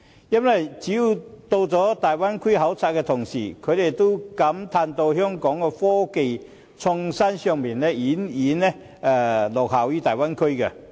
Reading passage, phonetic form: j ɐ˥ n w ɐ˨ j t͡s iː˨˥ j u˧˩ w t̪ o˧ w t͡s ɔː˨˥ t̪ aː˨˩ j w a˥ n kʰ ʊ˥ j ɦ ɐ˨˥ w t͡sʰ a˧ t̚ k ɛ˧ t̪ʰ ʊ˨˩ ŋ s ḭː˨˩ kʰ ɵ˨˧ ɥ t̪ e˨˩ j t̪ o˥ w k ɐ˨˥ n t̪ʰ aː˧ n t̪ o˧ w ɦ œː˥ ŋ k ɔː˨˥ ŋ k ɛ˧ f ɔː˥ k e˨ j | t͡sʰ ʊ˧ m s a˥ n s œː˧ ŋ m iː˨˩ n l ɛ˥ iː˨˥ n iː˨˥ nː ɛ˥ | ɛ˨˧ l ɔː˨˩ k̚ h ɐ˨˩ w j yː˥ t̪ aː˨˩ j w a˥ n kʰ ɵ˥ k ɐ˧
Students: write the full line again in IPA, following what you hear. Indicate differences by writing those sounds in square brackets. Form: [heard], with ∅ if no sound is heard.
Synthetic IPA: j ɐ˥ n w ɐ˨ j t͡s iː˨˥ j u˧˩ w t̪ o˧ w t͡s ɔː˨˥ t̪ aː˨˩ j w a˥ n kʰ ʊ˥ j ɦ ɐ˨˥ w t͡sʰ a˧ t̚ k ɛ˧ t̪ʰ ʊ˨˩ ŋ s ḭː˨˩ kʰ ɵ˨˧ ɥ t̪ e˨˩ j t̪ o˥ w k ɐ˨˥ [m] t̪ʰ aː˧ n t̪ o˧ w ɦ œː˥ ŋ k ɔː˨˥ ŋ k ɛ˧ f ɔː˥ k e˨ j | t͡sʰ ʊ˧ [ŋ] s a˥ n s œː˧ ŋ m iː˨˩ n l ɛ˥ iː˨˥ n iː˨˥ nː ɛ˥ | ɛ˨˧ l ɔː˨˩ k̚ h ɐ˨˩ w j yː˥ t̪ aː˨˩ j w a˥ n kʰ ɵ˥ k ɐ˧

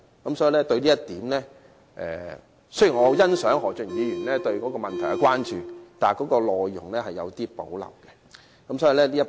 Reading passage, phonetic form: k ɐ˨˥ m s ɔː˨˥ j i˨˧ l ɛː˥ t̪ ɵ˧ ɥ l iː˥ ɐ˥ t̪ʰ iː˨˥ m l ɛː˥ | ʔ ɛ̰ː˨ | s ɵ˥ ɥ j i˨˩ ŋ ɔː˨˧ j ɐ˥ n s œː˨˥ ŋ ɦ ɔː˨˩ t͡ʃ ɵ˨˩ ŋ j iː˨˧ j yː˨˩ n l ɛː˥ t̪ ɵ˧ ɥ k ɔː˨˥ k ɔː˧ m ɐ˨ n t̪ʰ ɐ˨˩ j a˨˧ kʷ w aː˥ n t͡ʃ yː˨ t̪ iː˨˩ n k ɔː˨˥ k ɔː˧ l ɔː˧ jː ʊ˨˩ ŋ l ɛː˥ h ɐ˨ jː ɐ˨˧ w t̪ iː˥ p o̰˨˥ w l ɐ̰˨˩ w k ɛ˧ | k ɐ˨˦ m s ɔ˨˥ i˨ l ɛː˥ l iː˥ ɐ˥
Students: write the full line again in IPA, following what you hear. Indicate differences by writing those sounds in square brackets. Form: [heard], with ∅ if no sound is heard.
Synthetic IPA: k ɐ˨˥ m s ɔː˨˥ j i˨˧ l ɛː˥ t̪ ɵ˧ ɥ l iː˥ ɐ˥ [t̪] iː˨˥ m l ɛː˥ | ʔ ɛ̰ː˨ | s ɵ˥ ɥ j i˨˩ ŋ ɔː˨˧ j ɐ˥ n s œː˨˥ ŋ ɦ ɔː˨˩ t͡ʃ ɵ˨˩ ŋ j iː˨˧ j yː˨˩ n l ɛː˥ t̪ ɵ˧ ɥ k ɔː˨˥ k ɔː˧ m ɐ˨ n t̪ʰ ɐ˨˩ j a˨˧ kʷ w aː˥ n t͡ʃ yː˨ t̪ [aː˨˩] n k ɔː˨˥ k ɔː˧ l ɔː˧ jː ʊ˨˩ ŋ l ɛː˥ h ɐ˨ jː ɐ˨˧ w t̪ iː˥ p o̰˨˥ w l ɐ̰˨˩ w k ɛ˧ | k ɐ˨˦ m s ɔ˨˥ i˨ l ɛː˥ l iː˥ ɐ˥

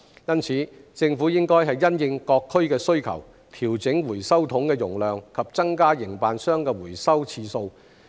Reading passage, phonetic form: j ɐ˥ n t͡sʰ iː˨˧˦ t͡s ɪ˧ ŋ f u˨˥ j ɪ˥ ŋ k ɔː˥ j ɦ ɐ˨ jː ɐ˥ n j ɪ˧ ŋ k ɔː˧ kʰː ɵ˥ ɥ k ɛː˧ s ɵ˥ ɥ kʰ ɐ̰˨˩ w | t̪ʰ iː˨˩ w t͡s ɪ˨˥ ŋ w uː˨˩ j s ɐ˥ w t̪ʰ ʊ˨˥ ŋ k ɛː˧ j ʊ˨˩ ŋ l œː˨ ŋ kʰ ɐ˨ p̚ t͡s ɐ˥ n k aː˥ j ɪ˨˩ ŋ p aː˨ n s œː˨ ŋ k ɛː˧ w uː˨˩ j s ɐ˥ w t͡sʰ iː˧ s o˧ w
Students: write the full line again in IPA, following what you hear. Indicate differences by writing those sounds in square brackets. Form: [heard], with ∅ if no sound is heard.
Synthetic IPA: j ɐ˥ n t͡sʰ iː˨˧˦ t͡s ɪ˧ ŋ f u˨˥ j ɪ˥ ŋ k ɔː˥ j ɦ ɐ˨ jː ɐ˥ n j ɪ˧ ŋ k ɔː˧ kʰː ɵ˥ ɥ k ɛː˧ s ɵ˥ ɥ kʰ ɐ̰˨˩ w | t̪ʰ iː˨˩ w t͡s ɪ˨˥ ŋ w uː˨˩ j s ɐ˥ w t̪ʰ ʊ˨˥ ŋ k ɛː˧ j ʊ˨˩ ŋ l œː˨ ŋ kʰ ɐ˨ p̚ t͡s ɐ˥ [ŋ] k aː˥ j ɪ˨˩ ŋ p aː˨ n s [œː˥] ŋ k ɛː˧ w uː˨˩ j s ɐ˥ w t͡sʰ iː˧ s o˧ w

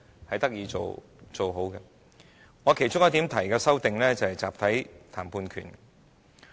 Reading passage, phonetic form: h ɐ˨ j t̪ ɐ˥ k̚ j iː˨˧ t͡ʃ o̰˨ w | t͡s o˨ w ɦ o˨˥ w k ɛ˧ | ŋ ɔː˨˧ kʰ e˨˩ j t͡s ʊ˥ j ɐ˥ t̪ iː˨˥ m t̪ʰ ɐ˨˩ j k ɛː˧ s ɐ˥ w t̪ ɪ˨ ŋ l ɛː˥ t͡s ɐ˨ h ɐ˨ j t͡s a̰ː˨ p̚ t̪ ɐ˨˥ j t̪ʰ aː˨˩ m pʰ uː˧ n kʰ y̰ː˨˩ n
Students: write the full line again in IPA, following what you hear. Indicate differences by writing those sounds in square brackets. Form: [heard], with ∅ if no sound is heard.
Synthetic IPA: h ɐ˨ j t̪ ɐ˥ k̚ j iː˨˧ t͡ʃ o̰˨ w | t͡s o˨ w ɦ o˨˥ w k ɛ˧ | ŋ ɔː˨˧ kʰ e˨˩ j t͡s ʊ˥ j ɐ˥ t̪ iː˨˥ m t̪ʰ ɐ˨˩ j k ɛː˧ s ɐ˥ w t̪ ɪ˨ ŋ l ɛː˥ t͡s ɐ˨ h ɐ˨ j t͡s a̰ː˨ p̚ [t̪ʰ] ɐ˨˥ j t̪ʰ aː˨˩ m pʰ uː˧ n kʰ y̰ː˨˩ n

